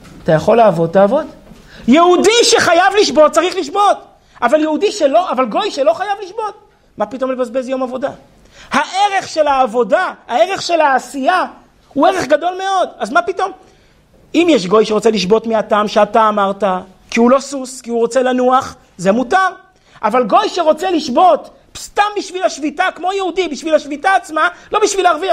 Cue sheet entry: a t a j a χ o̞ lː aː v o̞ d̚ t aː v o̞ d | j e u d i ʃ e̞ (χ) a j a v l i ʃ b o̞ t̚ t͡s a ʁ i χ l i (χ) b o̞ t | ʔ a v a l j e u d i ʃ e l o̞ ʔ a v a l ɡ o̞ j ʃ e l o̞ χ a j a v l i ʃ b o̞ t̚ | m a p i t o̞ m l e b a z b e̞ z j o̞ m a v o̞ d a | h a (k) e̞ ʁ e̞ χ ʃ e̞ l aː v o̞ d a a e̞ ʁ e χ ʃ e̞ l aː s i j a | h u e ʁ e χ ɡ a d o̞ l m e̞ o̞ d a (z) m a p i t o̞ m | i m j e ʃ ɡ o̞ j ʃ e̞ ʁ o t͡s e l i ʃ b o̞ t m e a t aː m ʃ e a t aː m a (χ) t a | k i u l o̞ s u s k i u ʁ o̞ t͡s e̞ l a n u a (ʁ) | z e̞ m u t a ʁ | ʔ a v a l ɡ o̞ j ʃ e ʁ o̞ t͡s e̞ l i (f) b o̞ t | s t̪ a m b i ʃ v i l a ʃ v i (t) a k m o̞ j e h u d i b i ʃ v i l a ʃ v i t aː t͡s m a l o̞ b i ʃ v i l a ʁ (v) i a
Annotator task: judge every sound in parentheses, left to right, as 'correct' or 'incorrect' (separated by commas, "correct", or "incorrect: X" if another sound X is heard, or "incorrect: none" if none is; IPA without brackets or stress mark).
correct, incorrect: ʃ, incorrect: ʔ, correct, incorrect: ʁ, incorrect: χ, incorrect: ʃ, correct, correct